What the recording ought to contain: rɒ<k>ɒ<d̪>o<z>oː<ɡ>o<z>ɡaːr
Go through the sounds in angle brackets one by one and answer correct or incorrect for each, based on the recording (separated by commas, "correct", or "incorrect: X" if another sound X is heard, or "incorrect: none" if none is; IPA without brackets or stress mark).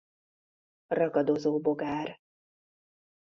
incorrect: ɡ, correct, correct, incorrect: b, incorrect: none